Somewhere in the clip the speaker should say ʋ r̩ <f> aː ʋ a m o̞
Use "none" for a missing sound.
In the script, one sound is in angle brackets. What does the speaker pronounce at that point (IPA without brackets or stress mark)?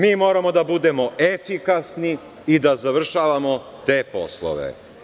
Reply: ʃ